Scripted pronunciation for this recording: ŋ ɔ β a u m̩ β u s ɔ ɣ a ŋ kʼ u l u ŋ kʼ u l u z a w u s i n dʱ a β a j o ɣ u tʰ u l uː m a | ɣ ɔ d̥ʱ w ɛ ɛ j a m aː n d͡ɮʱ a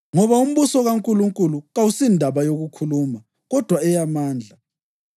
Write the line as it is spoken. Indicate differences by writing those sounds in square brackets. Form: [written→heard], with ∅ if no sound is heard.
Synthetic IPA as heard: ŋ ɔ β a u m̩ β u s ɔ ɣ a ŋ kʼ u l u ŋ kʼ u l u [z→ɣ] a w u s i n dʱ a β a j o ɣ u [tʰ→kʰ] u l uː m a | ɣ ɔ d̥ʱ w [ɛ→a] ɛ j a m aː n d͡ɮʱ a